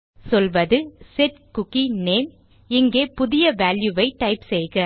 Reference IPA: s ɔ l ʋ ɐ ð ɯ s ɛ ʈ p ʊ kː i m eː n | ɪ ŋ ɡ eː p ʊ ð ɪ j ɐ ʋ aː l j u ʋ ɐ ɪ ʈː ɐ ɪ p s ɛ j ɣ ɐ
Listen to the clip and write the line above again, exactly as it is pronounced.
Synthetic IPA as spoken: s ɔ l ʋ ɐ ð ɯ s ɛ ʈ k ʊ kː i n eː m | ɪ ŋ ɡ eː p ʊ ð ɪ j ɐ ʋ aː l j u ʋ ɐ ɪ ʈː ɐ ɪ p s ɛ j ɣ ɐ